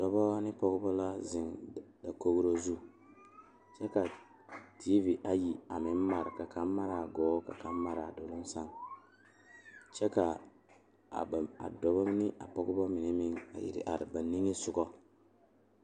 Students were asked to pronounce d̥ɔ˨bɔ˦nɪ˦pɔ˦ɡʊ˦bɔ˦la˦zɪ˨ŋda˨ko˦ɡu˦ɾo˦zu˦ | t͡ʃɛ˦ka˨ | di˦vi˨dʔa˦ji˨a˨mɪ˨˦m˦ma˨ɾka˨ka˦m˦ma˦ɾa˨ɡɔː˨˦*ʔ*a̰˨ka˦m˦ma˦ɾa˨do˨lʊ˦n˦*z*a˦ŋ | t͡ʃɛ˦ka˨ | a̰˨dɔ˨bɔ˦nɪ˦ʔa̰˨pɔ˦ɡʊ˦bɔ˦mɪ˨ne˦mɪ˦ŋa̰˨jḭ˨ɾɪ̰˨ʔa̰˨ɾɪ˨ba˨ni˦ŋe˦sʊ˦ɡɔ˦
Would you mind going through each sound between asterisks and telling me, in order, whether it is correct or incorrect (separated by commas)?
incorrect, incorrect